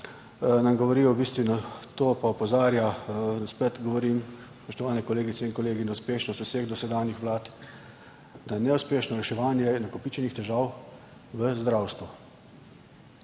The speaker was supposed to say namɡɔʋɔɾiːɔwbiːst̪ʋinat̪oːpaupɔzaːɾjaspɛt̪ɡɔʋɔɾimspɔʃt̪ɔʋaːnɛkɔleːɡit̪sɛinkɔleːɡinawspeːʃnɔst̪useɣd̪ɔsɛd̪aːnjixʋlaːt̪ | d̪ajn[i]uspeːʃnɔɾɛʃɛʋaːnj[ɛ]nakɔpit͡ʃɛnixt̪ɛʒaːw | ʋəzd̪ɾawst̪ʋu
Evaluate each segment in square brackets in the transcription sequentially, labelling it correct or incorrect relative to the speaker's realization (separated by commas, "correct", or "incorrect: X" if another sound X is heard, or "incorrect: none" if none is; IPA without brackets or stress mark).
incorrect: ɛ, correct